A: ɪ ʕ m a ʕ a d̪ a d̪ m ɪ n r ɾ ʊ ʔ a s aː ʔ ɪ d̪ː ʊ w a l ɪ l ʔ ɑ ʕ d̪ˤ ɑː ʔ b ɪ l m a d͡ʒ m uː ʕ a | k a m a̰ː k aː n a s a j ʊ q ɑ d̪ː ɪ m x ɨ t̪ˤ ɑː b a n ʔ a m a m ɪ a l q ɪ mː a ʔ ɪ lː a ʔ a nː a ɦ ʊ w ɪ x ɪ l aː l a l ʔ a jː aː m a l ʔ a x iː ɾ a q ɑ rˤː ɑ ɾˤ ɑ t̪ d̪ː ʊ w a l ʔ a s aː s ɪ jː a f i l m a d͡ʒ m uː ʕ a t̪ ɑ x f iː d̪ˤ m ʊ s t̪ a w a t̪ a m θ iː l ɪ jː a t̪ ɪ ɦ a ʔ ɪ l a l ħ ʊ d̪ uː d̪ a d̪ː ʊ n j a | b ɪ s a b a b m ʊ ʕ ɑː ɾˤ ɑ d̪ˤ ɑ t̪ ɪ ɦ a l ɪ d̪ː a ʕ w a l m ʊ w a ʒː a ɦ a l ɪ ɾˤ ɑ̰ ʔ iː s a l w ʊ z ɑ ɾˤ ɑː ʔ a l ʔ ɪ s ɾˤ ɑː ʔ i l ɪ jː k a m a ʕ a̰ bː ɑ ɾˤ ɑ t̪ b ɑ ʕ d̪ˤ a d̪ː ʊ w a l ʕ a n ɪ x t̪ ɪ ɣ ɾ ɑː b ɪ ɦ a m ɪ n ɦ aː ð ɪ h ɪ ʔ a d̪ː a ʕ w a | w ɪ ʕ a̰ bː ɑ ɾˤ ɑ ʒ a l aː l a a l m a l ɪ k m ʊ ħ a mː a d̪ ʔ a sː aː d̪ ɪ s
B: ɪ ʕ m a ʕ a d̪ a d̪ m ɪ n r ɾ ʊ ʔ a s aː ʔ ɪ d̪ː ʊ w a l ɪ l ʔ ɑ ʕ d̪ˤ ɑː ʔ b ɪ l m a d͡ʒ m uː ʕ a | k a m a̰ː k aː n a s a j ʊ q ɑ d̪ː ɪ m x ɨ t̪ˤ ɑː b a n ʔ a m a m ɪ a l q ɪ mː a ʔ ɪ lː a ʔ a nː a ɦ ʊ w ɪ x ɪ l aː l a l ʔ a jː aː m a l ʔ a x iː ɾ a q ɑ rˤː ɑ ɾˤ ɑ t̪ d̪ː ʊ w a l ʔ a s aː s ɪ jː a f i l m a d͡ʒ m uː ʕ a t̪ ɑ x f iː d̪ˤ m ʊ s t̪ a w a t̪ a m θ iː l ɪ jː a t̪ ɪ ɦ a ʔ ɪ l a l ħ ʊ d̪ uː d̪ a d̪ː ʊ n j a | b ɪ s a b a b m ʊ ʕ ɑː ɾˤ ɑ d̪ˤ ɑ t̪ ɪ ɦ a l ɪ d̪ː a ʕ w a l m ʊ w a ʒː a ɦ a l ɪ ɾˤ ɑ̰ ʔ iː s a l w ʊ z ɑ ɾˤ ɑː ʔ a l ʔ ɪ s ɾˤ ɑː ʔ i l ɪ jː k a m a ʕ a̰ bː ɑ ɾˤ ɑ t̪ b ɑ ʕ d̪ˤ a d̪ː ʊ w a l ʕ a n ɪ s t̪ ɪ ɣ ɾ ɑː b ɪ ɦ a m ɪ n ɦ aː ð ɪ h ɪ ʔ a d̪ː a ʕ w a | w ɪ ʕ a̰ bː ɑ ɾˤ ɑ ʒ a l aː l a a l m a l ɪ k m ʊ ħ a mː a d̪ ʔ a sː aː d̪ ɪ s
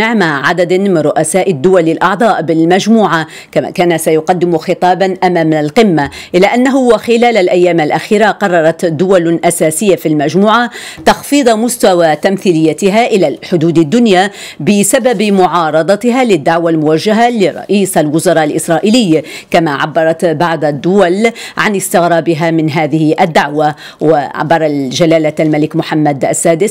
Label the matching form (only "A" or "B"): B